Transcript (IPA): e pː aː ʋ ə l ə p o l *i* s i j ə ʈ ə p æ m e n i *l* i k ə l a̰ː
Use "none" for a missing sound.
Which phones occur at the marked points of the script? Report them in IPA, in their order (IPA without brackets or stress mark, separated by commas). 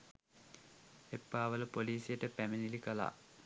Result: iː, l